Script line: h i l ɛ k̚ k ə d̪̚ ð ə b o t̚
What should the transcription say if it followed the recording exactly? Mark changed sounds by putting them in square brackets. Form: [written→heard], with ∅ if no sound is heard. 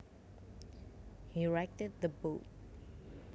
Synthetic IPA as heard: h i [l→ɹ] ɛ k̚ [k→t] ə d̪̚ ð ə b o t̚